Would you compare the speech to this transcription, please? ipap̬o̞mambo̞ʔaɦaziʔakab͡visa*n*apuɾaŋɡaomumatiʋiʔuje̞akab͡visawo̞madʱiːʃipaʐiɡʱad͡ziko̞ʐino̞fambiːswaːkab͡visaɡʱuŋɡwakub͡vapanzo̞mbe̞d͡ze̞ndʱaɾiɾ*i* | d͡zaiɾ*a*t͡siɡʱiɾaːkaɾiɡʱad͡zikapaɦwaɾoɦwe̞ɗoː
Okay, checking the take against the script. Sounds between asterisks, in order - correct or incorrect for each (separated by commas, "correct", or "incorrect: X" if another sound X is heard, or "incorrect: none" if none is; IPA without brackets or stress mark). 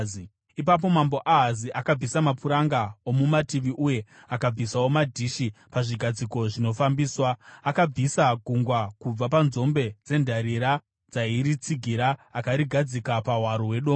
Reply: incorrect: m, incorrect: a, incorrect: i